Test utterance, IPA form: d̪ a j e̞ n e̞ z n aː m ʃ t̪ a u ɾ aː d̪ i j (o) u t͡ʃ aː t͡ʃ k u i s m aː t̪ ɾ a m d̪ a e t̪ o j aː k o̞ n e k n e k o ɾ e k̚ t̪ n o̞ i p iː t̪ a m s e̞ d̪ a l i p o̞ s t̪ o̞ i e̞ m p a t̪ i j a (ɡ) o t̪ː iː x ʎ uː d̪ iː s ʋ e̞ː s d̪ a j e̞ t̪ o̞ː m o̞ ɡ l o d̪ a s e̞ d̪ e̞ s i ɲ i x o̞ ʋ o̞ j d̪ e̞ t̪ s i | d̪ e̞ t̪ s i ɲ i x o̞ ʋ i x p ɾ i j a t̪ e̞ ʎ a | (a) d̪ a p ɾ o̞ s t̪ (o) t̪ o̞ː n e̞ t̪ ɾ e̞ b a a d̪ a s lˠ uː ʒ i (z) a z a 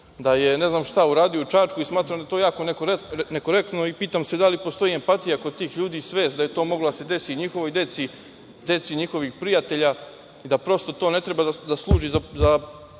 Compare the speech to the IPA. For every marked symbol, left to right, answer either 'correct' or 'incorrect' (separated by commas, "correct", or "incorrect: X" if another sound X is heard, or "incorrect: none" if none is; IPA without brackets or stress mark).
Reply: correct, incorrect: k, incorrect: i, correct, correct